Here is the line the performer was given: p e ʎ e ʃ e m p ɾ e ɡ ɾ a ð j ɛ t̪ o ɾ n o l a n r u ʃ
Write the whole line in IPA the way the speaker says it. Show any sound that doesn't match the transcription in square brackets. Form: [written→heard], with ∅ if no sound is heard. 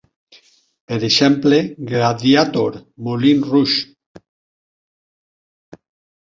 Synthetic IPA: p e [ʎ→ɾ] e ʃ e m p [ɾ→l] e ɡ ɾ a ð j [ɛ→a] t̪ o ɾ [n→m] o l [a→i] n r u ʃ